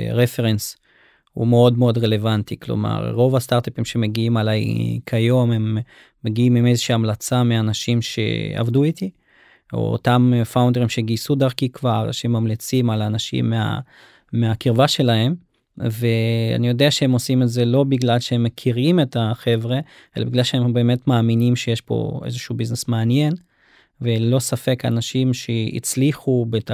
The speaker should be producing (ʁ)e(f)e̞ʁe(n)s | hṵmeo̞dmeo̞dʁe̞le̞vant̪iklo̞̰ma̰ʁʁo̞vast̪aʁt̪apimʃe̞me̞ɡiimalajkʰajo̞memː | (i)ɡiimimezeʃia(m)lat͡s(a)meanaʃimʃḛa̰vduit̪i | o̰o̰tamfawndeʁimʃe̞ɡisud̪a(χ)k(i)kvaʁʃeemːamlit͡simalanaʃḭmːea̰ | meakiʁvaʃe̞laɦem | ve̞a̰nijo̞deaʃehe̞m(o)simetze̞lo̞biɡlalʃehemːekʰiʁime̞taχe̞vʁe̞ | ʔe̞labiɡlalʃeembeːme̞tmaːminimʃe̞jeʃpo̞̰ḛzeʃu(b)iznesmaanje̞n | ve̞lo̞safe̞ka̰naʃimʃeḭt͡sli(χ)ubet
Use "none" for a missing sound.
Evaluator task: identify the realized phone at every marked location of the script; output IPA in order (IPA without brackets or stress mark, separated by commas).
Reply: ʁ, f, n, e, m, a, ʁ, i, o, b, χ